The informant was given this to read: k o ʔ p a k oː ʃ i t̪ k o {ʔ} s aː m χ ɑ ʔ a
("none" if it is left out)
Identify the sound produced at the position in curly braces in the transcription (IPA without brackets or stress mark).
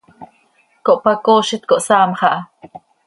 ʔ